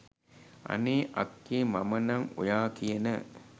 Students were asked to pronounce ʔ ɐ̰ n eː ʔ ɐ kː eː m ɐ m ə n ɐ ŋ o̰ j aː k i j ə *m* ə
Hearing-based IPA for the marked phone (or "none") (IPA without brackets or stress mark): n